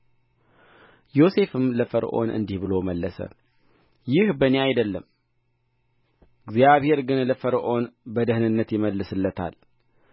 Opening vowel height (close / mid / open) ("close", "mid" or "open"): mid